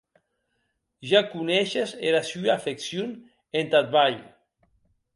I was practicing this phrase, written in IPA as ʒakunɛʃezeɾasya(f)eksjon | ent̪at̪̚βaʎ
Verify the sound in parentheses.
correct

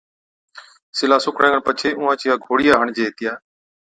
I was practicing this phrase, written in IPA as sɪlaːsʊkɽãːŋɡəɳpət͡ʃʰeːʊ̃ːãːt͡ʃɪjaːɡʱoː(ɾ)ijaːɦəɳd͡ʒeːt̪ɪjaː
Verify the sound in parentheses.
incorrect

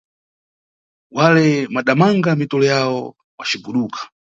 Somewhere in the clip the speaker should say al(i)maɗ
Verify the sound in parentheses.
incorrect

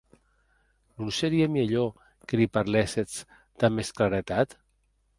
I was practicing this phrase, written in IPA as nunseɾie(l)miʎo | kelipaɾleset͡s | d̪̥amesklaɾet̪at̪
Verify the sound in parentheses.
incorrect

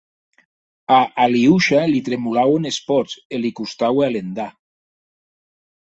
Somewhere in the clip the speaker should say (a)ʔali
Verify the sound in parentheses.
correct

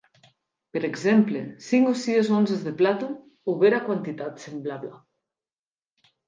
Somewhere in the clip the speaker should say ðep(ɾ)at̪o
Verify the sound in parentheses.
incorrect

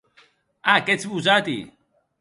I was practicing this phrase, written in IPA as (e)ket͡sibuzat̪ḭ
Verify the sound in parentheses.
incorrect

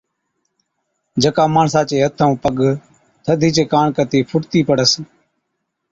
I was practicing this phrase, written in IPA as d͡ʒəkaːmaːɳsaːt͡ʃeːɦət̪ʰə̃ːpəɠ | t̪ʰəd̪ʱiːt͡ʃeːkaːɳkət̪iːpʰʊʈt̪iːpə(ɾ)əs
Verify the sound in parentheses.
incorrect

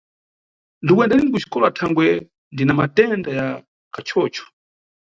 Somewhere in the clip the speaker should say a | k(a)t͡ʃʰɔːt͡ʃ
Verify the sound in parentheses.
correct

